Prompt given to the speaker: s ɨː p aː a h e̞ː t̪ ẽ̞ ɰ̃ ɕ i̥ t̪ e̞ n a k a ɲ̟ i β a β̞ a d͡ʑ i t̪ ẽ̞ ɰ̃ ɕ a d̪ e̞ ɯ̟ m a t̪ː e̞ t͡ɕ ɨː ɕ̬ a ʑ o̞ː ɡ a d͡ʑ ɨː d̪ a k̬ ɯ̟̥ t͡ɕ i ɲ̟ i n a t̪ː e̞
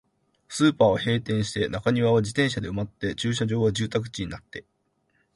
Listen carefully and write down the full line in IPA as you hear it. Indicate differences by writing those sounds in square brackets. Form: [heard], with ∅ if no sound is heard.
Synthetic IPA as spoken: s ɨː p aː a h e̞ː t̪ ẽ̞ ɰ̃ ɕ i̥ t̪ e̞ n a k a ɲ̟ i β a β̞ a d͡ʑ i t̪ ẽ̞ ɰ̃ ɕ a d̪ e̞ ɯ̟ m a t̪ː e̞ t͡ɕ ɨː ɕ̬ a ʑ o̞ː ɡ a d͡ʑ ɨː [t̪] a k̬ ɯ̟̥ t͡ɕ i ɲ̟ i n a t̪ː e̞